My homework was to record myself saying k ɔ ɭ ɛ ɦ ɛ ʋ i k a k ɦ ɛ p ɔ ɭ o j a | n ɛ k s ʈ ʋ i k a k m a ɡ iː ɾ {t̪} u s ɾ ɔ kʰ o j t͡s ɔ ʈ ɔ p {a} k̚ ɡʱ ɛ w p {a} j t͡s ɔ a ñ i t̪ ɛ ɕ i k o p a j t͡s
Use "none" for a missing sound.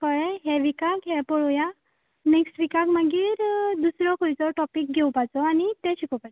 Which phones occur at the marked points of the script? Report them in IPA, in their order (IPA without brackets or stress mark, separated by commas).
d̪, i, a